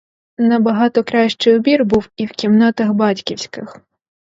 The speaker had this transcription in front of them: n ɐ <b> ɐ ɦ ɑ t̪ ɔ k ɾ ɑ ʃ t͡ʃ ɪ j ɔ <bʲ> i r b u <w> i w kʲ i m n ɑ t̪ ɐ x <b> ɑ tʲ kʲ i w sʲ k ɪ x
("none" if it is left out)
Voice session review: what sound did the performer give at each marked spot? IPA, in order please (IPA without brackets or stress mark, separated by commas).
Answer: b, bʲ, w, b